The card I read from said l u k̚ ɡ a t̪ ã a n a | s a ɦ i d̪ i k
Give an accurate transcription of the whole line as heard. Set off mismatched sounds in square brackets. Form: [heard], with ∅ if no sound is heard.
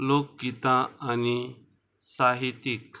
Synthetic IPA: l [o] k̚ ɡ [i] t̪ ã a n [i] | s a ɦ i [t̪] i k